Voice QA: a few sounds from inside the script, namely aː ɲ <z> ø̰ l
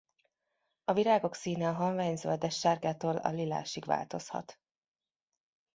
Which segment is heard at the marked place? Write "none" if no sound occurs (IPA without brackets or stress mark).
z